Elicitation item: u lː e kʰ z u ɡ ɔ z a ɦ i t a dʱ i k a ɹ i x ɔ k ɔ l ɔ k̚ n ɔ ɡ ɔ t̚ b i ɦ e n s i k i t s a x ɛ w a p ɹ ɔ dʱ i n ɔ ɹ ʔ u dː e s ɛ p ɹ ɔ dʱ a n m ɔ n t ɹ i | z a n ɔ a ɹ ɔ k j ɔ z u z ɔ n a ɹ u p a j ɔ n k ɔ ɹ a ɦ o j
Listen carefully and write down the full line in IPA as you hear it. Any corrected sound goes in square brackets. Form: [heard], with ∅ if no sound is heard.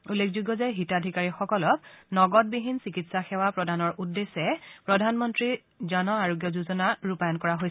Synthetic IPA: u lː e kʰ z u ɡ ɔ z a ɦ i t a dʱ i k a ɹ i x ɔ k ɔ l ɔ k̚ n ɔ ɡ ɔ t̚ b i ɦ [i] n s i k i t s a x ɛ w a p ɹ ɔ dʱ [a] n ɔ ɹ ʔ u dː e s ɛ p ɹ ɔ dʱ a n m ɔ n t ɹ i | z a n ɔ a ɹ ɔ [ɡ] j ɔ z u z ɔ n a ɹ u p a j ɔ n k ɔ ɹ a ɦ o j